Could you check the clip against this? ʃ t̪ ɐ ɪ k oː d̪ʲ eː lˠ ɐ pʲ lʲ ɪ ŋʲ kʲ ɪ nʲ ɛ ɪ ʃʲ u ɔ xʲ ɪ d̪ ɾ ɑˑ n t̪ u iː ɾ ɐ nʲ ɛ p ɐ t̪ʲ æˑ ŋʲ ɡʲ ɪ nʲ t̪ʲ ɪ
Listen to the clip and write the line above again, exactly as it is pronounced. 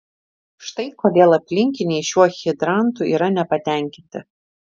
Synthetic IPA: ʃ t̪ ɐ ɪ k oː d̪ʲ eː lˠ ɐ pʲ lʲ ɪ ŋʲ kʲ ɪ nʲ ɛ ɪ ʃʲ u ɔ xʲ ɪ d̪ ɾ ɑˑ n t̪ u iː ɾ ɐ nʲ ɛ p ɐ t̪ʲ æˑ ŋʲ kʲ ɪ nʲ t̪ʲ ɪ